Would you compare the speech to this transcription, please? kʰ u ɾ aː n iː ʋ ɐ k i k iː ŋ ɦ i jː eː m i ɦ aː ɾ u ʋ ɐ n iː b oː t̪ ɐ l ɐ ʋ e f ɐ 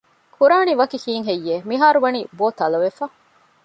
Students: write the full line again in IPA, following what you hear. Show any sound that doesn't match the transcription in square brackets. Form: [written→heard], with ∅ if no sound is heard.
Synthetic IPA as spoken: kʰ u ɾ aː n [iː→i] ʋ ɐ k i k iː ŋ ɦ [i→e] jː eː m i ɦ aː ɾ u ʋ ɐ n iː b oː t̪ ɐ l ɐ ʋ e f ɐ

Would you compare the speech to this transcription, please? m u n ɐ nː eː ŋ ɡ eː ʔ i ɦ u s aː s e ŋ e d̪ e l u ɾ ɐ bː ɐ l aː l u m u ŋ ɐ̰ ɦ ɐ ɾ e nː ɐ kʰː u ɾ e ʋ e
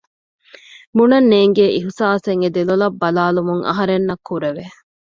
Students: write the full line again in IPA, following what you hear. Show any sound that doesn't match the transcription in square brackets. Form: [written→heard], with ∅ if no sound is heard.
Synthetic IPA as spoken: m u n ɐ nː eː ŋ ɡ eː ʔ i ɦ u s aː s e ŋ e d̪ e l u [ɾ→l] ɐ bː ɐ l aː l u m u ŋ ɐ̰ ɦ ɐ ɾ e nː ɐ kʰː u ɾ e ʋ e

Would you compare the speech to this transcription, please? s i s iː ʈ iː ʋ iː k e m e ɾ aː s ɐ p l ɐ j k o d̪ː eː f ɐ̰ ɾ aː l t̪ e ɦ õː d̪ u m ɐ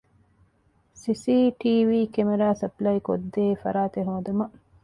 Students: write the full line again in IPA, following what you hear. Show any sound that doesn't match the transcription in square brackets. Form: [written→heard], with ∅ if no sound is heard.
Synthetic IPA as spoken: s i s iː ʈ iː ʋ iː k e m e ɾ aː s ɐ p l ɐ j k o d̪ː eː f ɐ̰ ɾ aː [l→∅] t̪ e ɦ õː d̪ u m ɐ

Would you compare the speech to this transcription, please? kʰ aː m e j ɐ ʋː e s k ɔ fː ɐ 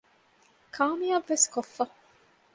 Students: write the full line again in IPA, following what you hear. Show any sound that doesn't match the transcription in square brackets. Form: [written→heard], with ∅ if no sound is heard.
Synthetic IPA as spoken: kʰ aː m [e→i] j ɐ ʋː e s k [ɔ→o] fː ɐ

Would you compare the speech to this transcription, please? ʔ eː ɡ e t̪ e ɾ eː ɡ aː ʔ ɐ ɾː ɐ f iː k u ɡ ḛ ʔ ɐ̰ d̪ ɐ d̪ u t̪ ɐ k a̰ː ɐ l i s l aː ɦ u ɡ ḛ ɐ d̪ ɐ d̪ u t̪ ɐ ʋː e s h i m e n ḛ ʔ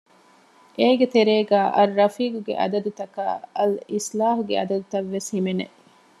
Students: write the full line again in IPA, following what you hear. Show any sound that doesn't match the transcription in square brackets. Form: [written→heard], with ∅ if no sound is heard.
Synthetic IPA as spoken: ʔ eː ɡ e t̪ e ɾ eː ɡ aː ʔ ɐ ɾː ɐ f iː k u ɡ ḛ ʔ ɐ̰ d̪ ɐ d̪ u t̪ ɐ k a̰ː ɐ l i s l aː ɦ u ɡ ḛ ɐ d̪ ɐ d̪ u t̪ ɐ ʋː e s h i m e n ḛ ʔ

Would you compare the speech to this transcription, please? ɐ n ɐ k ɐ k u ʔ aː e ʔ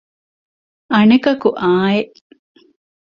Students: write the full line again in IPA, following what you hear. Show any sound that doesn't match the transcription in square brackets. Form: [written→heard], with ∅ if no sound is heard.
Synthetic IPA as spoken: ɐ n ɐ k ɐ k u ʔ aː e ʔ

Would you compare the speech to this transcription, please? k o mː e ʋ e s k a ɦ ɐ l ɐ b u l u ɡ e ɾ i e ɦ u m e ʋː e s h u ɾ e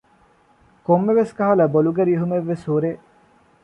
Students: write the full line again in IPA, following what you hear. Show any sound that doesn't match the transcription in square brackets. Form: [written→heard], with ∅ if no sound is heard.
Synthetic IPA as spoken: k o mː e ʋ e s k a ɦ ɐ l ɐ b [u→o] l u ɡ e ɾ i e ɦ u m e ʋː e s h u ɾ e

